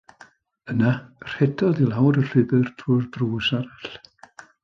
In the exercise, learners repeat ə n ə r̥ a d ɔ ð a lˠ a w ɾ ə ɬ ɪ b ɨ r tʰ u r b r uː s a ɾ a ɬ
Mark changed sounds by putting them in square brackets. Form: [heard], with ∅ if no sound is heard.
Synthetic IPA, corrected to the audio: ə n [a] r̥ [ɛ] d ɔ ð [i] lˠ a w ɾ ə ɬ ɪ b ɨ r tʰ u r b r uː s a ɾ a ɬ